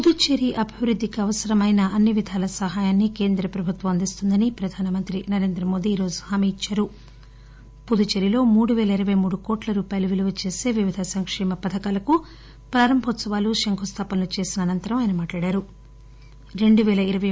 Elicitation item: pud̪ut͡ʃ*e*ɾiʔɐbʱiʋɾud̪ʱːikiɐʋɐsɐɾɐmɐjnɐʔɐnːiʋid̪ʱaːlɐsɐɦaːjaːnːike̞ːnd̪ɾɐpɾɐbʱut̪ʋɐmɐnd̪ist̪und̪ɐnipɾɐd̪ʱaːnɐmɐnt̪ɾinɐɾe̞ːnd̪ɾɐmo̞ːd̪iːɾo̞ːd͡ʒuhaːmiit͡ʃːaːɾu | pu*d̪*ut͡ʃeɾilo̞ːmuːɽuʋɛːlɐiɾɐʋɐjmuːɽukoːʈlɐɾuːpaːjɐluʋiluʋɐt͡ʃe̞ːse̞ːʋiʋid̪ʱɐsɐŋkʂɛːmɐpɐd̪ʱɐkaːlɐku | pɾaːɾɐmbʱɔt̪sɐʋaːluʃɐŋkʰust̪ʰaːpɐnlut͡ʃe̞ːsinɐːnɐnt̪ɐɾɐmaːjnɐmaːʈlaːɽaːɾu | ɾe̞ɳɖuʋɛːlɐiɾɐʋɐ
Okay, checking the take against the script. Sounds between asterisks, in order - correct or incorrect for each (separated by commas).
correct, correct